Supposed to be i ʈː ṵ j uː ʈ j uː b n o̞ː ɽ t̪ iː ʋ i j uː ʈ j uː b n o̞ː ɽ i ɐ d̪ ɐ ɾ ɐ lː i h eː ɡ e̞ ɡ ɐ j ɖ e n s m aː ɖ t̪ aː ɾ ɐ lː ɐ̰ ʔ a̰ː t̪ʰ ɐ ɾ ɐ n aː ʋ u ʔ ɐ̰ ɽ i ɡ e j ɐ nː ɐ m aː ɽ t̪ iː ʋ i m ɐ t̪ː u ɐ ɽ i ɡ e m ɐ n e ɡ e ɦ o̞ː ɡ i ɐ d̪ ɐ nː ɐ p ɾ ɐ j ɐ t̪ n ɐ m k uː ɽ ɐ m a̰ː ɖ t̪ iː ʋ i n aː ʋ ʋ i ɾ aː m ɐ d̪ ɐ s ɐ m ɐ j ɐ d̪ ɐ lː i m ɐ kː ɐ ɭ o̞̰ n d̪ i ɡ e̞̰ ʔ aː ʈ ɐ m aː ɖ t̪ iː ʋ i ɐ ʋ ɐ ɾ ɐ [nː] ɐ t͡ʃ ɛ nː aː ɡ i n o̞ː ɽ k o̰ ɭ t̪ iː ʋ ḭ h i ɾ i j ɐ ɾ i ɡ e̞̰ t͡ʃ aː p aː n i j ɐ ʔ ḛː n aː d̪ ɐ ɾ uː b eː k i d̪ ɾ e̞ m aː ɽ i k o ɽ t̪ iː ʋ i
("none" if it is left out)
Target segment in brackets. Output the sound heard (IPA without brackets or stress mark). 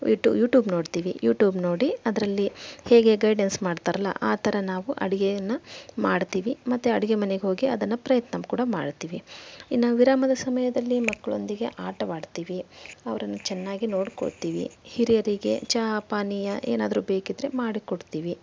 nː